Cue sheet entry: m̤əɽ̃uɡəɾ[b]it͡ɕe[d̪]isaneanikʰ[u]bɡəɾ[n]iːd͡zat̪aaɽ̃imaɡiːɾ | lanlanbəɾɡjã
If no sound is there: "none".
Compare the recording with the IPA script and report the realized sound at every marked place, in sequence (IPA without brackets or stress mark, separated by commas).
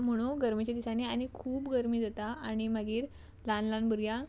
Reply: m, d̪, uː, m